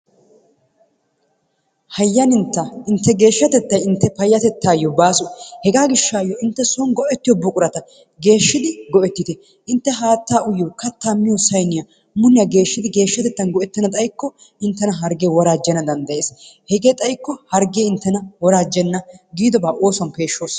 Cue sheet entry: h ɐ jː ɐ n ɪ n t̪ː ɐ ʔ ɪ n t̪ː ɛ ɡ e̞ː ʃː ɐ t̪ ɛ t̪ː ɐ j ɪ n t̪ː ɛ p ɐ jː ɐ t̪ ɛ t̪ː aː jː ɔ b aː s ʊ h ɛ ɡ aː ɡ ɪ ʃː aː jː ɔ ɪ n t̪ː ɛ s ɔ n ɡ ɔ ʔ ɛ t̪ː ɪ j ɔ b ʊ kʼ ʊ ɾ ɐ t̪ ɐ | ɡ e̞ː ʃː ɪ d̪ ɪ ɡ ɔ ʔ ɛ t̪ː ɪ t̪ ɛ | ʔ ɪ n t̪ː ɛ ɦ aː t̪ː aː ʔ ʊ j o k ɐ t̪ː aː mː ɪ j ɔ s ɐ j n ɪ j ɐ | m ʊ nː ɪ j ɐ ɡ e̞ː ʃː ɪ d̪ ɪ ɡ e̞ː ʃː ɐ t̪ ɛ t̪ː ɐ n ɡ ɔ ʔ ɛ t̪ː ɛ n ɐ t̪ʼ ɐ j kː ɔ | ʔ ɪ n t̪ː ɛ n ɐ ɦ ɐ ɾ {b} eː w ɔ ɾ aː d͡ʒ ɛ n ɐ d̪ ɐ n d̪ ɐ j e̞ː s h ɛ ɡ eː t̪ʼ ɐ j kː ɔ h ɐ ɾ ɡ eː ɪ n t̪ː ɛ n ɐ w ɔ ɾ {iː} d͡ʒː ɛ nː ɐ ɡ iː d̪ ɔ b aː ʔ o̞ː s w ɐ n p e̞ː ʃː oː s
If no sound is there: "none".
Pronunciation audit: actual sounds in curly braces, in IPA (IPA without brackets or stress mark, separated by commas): ɡ, aː